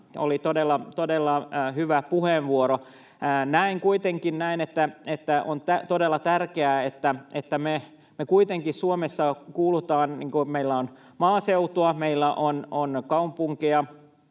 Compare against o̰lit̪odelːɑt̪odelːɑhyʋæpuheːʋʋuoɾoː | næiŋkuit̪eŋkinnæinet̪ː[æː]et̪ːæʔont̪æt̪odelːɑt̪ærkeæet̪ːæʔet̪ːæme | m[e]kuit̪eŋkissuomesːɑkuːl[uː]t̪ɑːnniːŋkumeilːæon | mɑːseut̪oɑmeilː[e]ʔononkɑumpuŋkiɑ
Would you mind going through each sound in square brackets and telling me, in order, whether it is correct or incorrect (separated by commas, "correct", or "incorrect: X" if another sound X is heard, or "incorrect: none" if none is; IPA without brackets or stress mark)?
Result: incorrect: æ, correct, incorrect: u, incorrect: æ